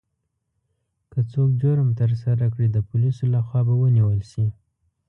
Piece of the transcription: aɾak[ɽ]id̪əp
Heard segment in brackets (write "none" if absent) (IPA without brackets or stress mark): ɽ